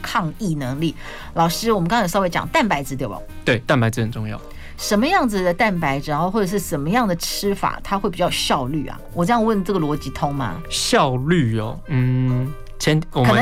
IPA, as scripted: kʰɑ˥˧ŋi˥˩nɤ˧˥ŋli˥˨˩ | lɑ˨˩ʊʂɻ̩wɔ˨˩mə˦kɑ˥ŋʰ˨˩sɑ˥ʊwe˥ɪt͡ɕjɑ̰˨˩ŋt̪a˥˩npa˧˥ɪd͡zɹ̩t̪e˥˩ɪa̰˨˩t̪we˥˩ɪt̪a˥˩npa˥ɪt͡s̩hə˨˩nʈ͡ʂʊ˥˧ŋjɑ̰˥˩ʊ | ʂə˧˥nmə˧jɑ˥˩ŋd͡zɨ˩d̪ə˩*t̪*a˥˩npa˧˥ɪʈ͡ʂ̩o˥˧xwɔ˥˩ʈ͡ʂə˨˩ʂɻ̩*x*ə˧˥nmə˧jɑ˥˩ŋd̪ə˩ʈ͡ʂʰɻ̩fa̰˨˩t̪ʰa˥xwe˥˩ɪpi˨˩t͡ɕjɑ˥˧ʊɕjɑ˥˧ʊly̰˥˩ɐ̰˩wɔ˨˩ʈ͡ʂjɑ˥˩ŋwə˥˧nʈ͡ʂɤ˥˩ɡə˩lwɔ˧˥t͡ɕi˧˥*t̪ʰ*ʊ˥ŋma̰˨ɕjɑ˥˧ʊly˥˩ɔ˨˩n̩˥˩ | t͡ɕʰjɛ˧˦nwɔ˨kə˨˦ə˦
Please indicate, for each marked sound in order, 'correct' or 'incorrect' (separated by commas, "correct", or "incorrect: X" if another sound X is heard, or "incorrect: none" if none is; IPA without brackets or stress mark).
correct, incorrect: ʂ, correct